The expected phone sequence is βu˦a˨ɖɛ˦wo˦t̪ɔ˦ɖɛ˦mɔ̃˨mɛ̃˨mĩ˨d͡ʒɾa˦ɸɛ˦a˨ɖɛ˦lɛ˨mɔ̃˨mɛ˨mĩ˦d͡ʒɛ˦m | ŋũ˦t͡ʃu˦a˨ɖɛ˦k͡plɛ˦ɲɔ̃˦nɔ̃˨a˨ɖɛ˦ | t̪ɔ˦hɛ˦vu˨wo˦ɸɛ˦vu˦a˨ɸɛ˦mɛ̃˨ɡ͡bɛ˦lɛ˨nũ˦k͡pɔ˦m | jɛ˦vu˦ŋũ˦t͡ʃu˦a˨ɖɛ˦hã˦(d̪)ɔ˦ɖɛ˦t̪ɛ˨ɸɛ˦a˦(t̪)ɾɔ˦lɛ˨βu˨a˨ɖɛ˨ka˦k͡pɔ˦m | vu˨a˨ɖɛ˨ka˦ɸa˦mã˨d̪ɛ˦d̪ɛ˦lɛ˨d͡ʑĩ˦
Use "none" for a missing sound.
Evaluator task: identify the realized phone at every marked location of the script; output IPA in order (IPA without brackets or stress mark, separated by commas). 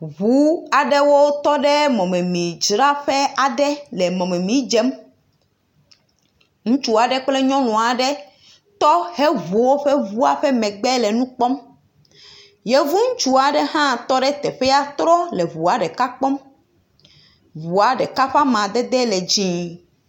t̪, t̪